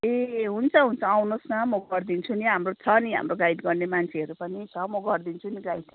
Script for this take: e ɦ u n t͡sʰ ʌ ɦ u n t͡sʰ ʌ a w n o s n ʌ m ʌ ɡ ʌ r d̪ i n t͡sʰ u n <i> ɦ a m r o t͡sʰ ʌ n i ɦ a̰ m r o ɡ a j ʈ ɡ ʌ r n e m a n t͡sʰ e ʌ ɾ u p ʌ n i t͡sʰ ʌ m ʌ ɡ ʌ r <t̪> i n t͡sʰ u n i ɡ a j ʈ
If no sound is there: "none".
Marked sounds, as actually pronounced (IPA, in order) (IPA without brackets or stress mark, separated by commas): i, d̪